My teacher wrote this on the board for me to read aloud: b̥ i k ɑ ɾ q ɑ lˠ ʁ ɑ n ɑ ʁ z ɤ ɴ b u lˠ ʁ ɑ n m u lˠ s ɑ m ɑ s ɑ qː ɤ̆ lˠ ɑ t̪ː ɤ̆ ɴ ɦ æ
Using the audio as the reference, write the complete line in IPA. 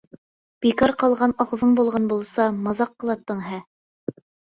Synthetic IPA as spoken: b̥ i k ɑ ɾ q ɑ lˠ ʁ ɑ n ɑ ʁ z ɤ ɴ b u lˠ ʁ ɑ n b u lˠ s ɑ m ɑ z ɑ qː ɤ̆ lˠ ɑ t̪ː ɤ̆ ɴ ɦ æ

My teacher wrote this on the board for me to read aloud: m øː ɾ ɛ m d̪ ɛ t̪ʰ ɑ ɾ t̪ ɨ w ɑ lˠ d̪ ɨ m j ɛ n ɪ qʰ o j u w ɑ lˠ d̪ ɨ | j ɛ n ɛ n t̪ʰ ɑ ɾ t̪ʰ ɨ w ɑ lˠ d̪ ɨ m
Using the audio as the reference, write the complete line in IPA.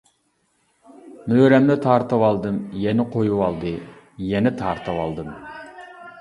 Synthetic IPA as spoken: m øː ɾ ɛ m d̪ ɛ t̪ʰ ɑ ɾ t̪ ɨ w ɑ lˠ d̪ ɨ m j ɛ n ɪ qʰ o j u w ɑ lˠ d̪ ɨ | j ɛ n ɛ t̪ʰ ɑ ɾ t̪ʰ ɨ w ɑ lˠ d̪ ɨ m

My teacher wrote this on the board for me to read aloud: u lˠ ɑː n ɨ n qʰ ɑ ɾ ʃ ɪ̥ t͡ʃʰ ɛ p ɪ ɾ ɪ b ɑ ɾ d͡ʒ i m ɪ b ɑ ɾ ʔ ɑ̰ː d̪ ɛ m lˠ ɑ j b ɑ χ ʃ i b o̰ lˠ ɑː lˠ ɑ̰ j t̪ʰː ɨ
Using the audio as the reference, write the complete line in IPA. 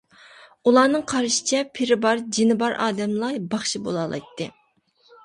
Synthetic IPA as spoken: u lˠ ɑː n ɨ ŋ qʰ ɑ ɾ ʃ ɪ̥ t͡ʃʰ ɛ pʰ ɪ ɾ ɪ b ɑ ɾ d͡ʒ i n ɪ b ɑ ɾ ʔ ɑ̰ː d̪ ɛ m lˠ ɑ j b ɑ χ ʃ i b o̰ lˠ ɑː lˠ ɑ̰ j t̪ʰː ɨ

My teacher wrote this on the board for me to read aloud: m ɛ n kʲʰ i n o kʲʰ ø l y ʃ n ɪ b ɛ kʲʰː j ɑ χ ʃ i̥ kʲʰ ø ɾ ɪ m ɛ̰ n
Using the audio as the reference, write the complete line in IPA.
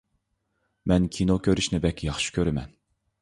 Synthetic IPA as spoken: m ɛ n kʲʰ i n o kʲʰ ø ɾ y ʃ n ɪ b ɛ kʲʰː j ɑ χ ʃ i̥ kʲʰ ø ɾ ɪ m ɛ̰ n

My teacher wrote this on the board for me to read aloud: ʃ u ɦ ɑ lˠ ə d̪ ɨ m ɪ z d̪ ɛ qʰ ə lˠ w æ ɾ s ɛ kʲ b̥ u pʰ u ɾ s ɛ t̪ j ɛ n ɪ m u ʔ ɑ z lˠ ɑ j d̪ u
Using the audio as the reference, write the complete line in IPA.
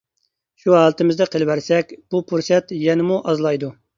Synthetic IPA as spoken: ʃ u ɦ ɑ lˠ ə t̪ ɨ m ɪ z d̪ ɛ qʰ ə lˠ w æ ɾ s ɛ kʲ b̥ u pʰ u ɾ s ɛ t̪ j ɛ n ɪ m u ʔ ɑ z lˠ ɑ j d̪ u

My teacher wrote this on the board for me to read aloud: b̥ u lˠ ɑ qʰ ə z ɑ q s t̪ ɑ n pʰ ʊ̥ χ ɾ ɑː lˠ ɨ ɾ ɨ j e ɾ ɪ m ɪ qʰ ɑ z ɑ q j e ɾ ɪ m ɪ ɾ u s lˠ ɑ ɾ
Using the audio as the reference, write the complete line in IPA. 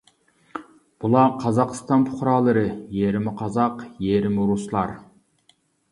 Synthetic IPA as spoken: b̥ u lˠ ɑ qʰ ɑ z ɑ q s t̪ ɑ n pʰ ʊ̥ χ ɾ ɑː lˠ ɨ ɾ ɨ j e ɾ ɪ m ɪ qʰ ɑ z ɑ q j e ɾ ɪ m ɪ ɾ u s lˠ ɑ ɾ

